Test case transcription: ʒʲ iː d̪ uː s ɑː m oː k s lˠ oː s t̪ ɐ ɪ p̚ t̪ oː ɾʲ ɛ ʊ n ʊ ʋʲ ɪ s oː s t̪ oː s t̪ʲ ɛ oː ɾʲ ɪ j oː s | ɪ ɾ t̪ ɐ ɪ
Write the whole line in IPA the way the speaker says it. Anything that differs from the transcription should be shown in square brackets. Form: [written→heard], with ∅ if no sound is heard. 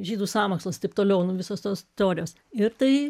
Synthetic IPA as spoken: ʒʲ iː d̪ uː s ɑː m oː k s lˠ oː s t̪ ɐ ɪ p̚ t̪ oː [ɾʲ→lʲ] ɛ ʊ n ʊ ʋʲ ɪ s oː s t̪ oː s t̪ʲ ɛ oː ɾʲ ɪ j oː s | ɪ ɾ t̪ ɐ ɪ